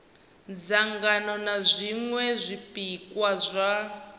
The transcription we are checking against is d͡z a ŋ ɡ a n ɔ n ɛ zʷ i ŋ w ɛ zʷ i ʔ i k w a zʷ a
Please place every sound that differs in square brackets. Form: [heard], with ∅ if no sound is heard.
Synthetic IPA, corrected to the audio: d͡z a ŋ ɡ a n ɔ n [a] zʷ i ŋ w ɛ zʷ i [p] i k w a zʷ a